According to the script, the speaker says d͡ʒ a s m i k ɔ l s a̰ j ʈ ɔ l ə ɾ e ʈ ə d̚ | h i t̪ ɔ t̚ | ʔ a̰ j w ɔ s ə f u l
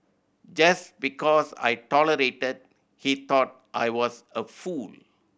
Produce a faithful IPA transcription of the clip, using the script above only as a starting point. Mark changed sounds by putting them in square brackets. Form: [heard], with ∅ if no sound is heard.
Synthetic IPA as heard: d͡ʒ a s [b] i k ɔ [∅] s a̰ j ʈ ɔ l ə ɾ e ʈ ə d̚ | h i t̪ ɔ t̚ | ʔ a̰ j w ɔ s ə f u l